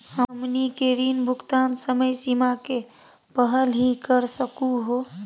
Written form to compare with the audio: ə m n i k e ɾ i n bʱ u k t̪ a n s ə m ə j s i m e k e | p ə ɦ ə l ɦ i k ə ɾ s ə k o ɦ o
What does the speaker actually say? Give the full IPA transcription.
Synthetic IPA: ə m n i k e ɾ i n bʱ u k t̪ a n s ə m ə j s i m a k e | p ə ɦ ə l ɦ i k ə ɾ s ə k u ɦ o